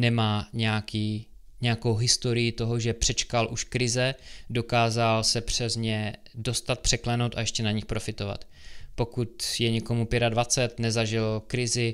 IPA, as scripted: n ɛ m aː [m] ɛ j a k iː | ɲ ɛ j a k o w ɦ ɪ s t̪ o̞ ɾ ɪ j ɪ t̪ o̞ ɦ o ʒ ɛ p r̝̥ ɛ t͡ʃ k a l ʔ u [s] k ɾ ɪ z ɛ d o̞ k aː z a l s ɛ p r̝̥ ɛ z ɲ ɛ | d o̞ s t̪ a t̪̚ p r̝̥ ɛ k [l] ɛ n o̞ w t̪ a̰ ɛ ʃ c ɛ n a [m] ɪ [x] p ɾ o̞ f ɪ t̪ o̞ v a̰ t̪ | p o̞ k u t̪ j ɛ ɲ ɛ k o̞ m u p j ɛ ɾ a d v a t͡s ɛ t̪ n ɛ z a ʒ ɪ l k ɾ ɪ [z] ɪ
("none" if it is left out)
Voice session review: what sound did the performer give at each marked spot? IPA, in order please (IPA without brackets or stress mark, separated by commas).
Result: ɲ, ʃ, l, ɲ, x, z